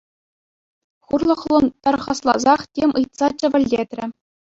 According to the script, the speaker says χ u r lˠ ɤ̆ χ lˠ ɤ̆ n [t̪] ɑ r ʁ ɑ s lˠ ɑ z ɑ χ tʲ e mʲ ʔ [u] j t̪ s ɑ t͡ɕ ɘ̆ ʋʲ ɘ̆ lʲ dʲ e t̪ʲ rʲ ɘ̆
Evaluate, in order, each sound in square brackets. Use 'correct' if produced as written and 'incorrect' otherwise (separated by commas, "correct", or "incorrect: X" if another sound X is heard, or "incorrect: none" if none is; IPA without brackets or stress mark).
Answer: correct, incorrect: ɯ